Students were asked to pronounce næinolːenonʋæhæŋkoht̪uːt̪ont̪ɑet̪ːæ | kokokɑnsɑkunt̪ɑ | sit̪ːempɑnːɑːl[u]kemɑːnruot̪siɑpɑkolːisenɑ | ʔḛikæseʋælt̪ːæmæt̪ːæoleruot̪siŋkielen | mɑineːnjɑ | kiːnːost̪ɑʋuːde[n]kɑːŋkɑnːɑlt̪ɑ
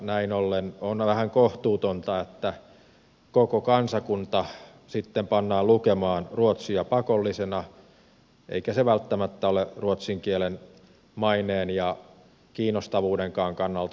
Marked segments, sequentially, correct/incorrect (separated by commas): correct, incorrect